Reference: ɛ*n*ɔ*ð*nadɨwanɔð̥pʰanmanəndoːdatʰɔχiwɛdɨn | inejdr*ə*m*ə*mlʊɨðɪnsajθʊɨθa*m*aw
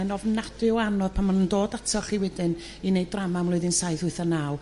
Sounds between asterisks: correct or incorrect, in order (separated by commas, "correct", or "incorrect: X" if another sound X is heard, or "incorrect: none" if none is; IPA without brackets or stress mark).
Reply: correct, incorrect: v, incorrect: a, incorrect: a, incorrect: n